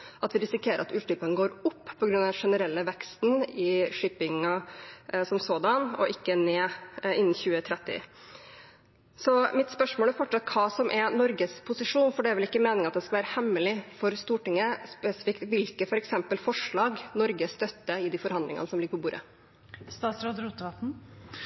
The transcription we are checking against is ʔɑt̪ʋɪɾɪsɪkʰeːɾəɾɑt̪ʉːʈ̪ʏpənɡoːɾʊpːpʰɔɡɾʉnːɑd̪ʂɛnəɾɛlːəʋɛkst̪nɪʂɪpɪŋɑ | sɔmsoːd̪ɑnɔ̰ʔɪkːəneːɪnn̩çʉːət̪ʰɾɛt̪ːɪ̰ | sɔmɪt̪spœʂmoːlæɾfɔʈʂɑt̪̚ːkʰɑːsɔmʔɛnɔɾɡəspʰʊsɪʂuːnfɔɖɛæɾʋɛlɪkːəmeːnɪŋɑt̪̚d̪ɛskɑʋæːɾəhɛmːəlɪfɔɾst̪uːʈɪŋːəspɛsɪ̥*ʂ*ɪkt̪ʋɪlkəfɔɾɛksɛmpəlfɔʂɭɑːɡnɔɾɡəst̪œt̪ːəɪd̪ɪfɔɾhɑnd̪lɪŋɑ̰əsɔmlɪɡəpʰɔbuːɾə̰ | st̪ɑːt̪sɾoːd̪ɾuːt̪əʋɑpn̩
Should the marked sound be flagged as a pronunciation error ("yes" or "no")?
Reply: yes